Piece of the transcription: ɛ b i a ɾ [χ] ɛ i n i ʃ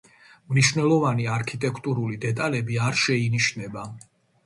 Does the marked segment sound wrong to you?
yes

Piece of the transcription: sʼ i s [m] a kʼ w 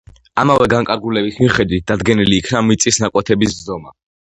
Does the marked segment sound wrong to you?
yes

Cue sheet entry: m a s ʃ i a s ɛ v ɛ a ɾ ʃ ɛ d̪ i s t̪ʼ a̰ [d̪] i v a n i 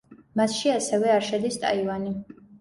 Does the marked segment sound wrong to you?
yes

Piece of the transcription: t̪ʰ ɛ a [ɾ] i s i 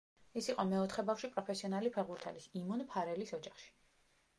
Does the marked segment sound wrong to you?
yes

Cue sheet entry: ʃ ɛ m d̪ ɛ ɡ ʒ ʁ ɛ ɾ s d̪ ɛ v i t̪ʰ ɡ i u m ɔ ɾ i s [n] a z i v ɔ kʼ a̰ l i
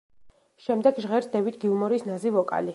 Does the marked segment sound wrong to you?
no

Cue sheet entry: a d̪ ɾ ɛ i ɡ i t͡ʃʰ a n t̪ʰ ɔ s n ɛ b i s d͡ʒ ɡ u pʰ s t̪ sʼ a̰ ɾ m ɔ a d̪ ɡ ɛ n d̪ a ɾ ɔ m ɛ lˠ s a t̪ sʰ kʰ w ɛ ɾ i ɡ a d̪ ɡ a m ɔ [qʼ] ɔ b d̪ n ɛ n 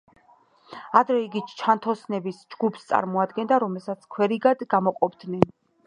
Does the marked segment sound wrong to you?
no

